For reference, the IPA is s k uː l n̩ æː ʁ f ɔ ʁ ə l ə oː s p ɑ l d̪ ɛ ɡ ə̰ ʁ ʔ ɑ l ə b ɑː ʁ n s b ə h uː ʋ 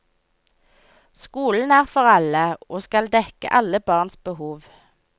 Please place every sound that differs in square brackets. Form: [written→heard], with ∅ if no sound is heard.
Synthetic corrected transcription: s k uː l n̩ æː ʁ f ɔ ʁ [ə→ɑ] l ə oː s [p→k] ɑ l d̪ ɛ [ɡ→k] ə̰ [ʁ→∅] ʔ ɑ l ə b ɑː ʁ n s b ə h uː ʋ